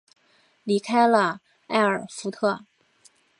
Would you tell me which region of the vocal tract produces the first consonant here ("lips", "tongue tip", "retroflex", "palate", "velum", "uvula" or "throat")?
tongue tip